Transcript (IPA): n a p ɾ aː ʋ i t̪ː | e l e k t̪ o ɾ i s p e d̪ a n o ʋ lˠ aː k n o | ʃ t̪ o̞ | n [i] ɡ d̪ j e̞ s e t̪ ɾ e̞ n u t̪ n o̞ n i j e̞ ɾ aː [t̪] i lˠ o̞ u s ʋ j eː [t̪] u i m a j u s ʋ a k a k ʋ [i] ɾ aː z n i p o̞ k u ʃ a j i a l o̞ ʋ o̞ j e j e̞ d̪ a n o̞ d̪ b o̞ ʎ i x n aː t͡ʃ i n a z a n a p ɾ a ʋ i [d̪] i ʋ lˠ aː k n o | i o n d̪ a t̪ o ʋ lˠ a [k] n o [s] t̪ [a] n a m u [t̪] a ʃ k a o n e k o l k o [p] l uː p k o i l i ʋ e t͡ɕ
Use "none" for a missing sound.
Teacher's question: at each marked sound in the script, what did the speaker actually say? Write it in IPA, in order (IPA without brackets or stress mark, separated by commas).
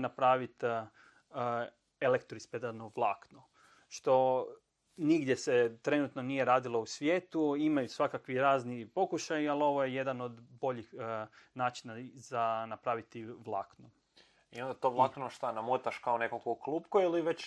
i, d̪, t̪, i, t̪, k, ʃ, a, t̪, k